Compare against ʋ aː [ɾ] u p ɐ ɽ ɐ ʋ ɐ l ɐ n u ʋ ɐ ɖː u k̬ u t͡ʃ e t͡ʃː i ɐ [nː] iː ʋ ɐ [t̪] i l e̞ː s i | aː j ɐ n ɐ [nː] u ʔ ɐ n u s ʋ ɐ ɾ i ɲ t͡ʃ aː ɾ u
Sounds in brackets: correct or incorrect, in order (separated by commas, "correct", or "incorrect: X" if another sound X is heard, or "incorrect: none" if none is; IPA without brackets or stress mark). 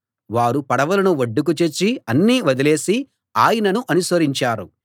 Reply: correct, correct, incorrect: d̪, incorrect: n